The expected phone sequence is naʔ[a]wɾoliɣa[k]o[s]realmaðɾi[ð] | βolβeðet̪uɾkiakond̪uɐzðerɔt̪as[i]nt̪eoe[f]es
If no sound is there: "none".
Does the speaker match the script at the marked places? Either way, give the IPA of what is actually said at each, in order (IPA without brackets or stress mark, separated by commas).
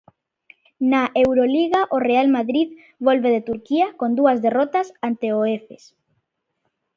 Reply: e, ʔ, none, ð, a, f